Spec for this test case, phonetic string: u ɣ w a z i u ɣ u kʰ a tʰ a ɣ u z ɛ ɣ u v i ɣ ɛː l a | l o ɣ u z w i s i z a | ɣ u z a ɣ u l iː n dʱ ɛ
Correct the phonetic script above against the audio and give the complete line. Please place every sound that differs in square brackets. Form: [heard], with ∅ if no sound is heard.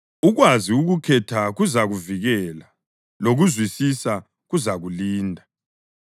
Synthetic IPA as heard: u ɣ w a z i u ɣ u kʰ [ɛ] tʰ a ɣ u z [a] ɣ u v i ɣ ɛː l a | l o ɣ u z w i s i [s] a | ɣ u z a ɣ u l iː n dʱ [a]